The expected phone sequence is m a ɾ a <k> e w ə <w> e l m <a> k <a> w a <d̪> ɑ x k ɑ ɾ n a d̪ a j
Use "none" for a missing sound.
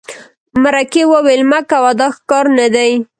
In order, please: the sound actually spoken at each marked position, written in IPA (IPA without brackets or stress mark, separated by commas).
k, w, a, a, d̪